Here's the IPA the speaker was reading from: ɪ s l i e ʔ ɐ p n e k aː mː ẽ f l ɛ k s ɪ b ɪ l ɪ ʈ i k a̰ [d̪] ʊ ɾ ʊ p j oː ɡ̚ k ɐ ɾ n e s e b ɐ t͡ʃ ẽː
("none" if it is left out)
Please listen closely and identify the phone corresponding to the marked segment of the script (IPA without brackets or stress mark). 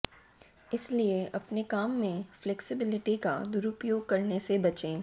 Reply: d̪